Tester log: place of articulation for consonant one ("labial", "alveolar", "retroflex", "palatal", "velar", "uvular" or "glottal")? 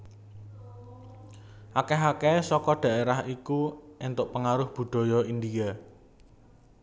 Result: glottal